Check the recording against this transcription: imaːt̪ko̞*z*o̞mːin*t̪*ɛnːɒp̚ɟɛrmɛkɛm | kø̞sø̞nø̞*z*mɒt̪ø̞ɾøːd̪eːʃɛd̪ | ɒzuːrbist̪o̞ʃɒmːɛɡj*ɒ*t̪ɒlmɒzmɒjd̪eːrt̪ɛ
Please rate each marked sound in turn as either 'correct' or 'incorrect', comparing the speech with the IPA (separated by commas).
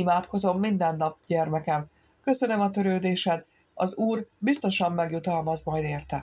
correct, incorrect, incorrect, incorrect